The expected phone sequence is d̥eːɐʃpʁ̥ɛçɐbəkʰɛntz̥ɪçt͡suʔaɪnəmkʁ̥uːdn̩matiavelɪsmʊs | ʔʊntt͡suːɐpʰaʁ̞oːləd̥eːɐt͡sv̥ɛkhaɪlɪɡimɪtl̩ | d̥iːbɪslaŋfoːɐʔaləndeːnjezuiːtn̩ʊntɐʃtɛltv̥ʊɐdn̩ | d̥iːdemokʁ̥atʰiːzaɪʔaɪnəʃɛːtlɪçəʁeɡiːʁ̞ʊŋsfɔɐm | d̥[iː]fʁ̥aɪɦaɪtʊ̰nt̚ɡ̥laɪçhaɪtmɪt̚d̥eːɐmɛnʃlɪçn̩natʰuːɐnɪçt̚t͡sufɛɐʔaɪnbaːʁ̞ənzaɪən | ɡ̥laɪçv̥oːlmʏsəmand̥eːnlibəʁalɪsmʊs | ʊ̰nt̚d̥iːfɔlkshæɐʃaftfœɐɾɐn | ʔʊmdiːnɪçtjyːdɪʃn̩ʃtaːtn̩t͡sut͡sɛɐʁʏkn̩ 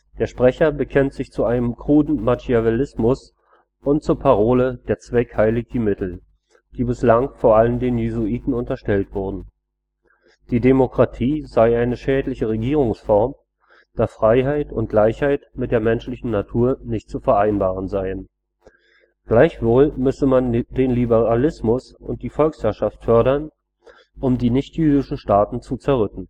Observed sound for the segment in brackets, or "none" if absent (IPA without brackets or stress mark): aː